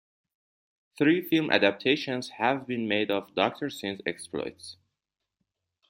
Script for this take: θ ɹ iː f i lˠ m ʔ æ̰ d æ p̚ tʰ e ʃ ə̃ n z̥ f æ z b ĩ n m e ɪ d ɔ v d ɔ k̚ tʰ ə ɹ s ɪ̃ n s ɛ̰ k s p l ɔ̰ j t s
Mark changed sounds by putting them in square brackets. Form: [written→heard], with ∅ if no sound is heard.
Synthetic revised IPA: θ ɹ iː f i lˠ m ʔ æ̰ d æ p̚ tʰ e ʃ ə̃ n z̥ [f→h] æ [z→v] b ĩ n m e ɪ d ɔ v d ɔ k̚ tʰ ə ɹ s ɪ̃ n s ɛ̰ k s p l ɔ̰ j t s